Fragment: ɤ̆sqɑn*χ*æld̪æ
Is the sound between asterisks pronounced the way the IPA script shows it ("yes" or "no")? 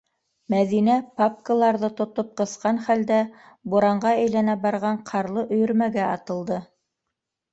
yes